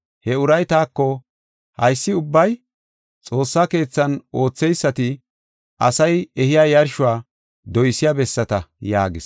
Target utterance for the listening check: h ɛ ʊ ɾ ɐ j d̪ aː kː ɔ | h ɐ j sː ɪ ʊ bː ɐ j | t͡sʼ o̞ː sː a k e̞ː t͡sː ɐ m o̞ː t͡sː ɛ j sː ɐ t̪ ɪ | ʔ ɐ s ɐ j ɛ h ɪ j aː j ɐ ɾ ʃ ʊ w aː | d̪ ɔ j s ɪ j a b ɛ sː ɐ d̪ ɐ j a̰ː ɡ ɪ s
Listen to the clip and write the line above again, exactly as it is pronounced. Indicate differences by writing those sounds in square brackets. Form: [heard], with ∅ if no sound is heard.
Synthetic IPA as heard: h ɛ ʊ ɾ ɐ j [t̪] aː kː ɔ | h ɐ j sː ɪ ʊ bː ɐ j | t͡sʼ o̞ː sː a k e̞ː t͡sː ɐ [n] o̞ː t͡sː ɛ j sː ɐ t̪ ɪ | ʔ ɐ s ɐ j ɛ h ɪ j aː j ɐ ɾ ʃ ʊ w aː | d̪ ɔ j s ɪ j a b ɛ sː ɐ [t̪] ɐ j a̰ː ɡ ɪ s